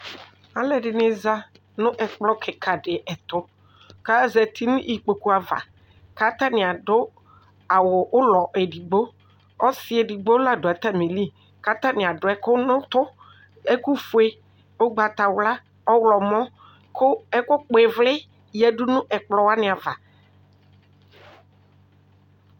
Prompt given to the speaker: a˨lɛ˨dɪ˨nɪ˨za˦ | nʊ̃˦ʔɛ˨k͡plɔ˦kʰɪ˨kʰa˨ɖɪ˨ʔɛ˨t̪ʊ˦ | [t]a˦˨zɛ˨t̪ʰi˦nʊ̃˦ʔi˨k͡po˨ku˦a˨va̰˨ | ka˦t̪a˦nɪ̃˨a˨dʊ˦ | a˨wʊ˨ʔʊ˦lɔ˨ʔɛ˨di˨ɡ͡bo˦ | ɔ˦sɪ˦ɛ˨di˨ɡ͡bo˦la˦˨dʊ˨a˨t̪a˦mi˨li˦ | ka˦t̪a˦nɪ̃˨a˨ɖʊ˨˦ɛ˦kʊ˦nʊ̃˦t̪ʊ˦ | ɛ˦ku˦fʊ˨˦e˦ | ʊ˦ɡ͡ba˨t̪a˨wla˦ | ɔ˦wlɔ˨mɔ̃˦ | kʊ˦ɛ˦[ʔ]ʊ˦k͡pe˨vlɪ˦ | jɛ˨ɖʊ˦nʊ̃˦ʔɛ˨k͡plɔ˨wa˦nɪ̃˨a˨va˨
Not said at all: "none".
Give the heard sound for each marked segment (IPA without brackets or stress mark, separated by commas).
k, k